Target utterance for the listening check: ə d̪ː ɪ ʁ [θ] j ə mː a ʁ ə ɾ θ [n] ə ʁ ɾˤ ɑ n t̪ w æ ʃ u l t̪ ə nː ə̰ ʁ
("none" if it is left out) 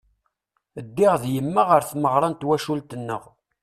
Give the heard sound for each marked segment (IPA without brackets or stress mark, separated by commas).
ð, m